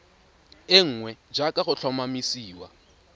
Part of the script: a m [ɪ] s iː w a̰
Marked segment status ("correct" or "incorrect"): incorrect